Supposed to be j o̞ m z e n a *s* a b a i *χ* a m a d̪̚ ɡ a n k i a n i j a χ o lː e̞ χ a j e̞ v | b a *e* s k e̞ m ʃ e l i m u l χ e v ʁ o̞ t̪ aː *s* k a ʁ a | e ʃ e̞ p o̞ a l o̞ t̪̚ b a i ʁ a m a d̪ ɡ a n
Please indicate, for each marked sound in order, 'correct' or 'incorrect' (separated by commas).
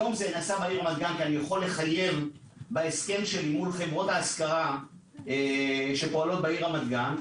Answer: correct, incorrect, correct, correct